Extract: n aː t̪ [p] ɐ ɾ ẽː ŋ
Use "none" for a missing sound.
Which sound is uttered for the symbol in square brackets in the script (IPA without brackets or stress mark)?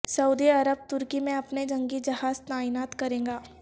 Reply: k